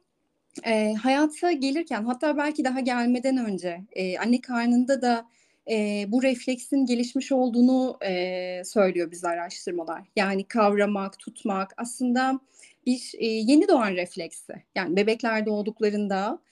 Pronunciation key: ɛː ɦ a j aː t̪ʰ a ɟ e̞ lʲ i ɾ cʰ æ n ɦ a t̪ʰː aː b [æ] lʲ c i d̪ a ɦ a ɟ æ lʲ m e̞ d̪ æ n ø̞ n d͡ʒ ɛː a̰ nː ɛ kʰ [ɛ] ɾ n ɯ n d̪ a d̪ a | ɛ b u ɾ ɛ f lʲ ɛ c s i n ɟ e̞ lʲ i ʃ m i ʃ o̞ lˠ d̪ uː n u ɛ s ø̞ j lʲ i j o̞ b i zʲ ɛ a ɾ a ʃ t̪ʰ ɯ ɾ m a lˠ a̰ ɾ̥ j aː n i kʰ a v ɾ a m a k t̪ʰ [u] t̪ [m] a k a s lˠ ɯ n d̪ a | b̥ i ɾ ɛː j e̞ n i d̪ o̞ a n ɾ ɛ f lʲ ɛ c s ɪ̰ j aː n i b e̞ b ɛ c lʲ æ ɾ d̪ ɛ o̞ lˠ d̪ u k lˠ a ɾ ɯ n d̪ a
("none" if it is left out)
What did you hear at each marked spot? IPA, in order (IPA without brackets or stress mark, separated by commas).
æ, a, u, m